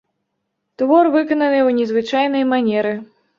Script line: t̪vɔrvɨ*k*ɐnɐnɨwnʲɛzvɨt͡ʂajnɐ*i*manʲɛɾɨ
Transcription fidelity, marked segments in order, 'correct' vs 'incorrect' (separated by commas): correct, incorrect